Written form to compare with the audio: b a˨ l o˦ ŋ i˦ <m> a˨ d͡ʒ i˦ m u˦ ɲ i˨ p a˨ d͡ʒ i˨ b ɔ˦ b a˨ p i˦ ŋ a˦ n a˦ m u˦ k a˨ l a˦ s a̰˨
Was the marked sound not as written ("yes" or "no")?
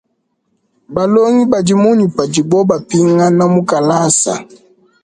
yes